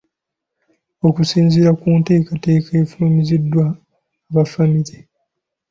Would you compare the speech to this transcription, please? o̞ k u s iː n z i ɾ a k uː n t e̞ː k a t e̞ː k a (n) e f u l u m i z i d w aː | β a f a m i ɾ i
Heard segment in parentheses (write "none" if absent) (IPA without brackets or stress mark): none